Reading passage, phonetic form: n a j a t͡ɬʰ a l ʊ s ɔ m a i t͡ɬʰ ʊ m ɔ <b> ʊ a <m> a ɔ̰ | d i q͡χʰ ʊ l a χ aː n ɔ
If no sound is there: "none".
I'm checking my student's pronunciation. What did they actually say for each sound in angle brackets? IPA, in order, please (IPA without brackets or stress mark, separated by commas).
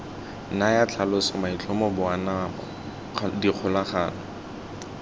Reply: b, n